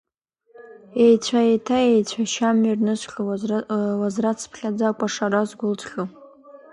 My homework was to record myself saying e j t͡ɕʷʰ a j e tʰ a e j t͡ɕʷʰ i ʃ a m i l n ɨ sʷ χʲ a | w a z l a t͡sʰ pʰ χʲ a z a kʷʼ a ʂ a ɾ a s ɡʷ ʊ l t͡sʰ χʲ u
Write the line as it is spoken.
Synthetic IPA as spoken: e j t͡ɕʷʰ a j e tʰ a e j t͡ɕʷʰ a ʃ a m i r n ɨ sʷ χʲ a | w a z r a t͡sʰ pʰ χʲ a d͡z a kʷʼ a ʂ a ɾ a z ɡʷ ʊ l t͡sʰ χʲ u